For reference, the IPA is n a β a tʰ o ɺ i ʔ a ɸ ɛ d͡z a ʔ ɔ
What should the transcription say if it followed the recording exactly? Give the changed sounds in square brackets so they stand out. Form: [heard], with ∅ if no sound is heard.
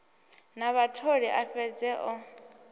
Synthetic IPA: n a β a tʰ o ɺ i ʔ a ɸ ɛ d͡z [ɛ] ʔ ɔ